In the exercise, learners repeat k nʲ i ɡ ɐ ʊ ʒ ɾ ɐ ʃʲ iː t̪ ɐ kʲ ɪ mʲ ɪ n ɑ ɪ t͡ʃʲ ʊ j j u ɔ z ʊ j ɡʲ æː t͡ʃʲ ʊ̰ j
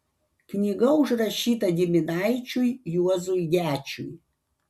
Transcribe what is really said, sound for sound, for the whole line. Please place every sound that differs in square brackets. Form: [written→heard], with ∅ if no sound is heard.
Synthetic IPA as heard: k nʲ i ɡ ɐ ʊ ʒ ɾ ɐ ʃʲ iː t̪ ɐ [kʲ→ɡʲ] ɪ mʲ ɪ n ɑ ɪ t͡ʃʲ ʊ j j u ɔ z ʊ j ɡʲ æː t͡ʃʲ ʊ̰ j